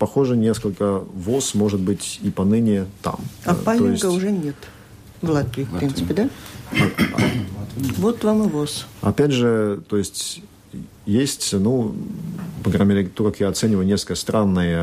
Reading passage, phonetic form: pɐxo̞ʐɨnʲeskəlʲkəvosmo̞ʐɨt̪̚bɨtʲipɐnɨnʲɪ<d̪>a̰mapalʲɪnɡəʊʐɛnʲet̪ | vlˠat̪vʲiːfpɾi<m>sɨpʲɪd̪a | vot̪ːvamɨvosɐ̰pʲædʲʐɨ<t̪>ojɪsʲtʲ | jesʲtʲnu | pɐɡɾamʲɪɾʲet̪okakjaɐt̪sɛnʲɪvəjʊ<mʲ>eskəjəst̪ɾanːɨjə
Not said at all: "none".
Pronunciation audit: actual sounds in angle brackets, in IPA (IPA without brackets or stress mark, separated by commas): t̪, n, t̪, nʲ